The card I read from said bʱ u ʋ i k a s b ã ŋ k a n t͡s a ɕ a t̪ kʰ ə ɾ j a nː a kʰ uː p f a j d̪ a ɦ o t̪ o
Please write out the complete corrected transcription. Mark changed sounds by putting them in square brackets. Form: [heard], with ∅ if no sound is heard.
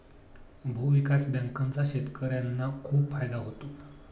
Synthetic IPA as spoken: bʱ u ʋ i k a s b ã ŋ k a n t͡s a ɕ [e] t̪ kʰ ə ɾ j a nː a kʰ uː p f a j d̪ a ɦ o t̪ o